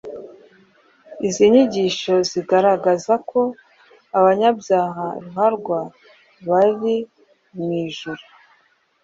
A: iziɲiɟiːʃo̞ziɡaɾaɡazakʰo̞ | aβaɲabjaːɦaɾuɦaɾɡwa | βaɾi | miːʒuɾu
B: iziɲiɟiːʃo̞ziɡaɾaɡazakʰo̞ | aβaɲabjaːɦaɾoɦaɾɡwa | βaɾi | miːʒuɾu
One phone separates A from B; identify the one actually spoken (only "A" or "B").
A